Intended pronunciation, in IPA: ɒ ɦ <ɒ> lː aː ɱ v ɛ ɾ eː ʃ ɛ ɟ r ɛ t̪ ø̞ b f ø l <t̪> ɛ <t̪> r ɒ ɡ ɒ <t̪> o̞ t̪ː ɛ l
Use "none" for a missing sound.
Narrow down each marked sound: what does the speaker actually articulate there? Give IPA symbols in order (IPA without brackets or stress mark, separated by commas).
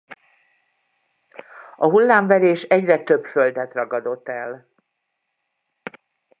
u, d̪, t̪, d̪